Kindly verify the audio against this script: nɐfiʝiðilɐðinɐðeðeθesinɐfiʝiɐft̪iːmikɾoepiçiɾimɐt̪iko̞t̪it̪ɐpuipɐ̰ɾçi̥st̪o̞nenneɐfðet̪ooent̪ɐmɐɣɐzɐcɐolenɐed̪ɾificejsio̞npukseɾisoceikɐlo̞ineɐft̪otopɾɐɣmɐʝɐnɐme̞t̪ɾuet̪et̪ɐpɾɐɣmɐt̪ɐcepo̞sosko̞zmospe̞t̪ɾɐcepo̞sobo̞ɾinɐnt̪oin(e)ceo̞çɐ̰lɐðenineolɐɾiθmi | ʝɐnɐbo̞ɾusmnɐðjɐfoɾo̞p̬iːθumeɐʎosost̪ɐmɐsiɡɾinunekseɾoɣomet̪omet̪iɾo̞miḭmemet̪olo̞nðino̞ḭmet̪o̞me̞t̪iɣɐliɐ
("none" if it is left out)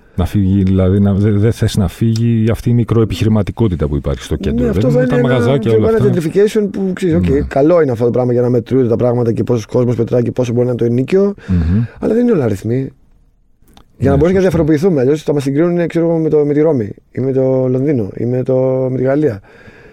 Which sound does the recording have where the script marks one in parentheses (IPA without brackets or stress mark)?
i